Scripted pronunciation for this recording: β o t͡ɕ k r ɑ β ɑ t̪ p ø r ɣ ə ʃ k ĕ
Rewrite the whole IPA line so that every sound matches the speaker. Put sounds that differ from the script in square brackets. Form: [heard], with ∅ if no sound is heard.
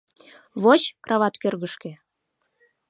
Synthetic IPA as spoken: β o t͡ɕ k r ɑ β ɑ t̪ [k] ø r ɣ ə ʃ k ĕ